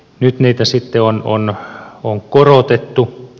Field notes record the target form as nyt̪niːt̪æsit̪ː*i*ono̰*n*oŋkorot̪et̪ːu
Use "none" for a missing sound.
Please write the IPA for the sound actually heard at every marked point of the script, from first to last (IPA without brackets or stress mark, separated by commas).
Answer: e, n